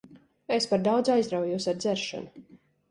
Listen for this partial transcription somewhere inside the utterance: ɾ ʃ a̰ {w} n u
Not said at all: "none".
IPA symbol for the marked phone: none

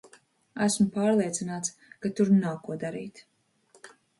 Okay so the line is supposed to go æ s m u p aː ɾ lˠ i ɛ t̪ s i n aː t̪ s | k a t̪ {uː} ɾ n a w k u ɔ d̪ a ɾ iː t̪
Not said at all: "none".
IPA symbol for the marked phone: u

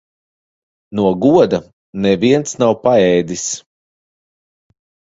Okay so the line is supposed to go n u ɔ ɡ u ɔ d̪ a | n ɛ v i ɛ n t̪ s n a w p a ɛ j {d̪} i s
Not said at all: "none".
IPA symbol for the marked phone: d̪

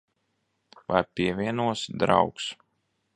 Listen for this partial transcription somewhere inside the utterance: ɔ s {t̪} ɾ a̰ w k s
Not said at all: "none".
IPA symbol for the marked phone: d̪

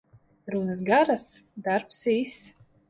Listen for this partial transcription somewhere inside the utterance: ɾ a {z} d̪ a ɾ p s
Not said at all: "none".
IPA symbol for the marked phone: s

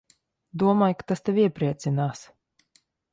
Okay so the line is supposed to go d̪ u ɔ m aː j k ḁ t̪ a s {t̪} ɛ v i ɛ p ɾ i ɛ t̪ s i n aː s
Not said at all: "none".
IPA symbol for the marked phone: t̪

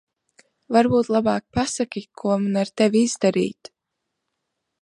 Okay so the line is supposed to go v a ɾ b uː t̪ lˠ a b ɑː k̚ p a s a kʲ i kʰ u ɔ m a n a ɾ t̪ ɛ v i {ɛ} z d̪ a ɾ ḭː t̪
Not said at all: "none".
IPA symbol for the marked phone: i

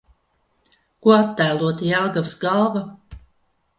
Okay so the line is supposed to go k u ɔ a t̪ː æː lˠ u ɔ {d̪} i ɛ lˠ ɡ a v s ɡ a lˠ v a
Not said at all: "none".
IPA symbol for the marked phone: t̪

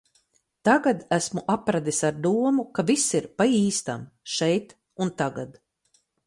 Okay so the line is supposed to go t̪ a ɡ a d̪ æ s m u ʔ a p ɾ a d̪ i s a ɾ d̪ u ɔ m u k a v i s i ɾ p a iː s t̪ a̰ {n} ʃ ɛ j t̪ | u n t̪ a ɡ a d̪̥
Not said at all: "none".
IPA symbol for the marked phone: m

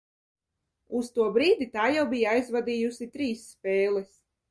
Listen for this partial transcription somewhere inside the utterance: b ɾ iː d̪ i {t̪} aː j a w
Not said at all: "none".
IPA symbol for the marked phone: t̪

